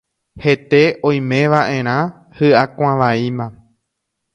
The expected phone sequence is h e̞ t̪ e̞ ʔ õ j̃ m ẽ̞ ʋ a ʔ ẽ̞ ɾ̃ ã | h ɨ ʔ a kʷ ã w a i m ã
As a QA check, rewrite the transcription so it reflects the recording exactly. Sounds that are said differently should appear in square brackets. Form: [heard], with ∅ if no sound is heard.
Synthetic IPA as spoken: h e̞ t̪ e̞ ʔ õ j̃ m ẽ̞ ʋ a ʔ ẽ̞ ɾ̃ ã | h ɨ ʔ a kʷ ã [ʋ] a i m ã